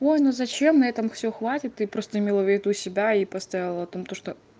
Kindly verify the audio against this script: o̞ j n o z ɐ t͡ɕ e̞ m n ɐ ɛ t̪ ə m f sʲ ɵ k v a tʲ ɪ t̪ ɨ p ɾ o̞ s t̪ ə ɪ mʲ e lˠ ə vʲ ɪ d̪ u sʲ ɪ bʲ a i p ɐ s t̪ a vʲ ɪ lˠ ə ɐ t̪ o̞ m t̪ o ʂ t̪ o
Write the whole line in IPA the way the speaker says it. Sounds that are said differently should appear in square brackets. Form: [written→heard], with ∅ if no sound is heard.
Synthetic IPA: o̞ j n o z ɐ t͡ɕ e̞ m n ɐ ɛ t̪ ə m f sʲ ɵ [k→x] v a tʲ ɪ t̪ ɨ p ɾ o̞ s t̪ ə ɪ mʲ e lˠ ə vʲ ɪ d̪ u sʲ ɪ bʲ a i p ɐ s t̪ a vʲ ɪ lˠ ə ɐ t̪ o̞ m t̪ o ʂ t̪ o